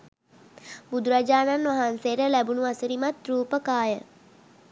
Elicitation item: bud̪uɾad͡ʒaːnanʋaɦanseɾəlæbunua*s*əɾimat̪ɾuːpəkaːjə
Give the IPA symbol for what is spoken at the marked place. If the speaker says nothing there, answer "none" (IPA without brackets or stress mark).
s